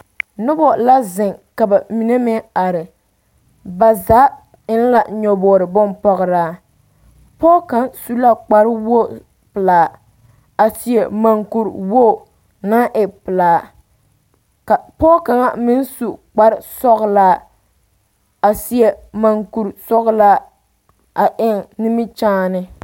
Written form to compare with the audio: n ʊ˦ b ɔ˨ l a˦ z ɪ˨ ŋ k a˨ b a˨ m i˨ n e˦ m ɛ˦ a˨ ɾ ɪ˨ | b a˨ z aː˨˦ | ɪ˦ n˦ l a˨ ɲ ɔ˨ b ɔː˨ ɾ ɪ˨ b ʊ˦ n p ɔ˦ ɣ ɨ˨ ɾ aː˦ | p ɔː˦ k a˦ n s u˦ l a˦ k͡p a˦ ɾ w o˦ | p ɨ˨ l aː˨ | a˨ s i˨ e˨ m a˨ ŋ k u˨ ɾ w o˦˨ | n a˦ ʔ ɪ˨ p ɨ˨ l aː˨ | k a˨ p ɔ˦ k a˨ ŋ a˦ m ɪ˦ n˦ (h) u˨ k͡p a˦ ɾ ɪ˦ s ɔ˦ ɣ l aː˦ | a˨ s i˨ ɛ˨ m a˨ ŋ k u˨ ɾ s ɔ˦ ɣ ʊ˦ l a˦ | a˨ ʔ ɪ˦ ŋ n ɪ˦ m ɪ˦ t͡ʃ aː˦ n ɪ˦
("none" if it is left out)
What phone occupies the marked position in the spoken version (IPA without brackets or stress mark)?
s